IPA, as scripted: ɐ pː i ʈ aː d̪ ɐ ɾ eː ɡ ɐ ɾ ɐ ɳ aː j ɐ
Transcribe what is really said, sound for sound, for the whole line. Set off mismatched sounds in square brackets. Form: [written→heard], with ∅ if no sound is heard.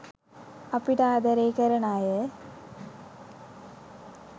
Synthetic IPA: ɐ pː i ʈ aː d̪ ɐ ɾ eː [ɡ→k] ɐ ɾ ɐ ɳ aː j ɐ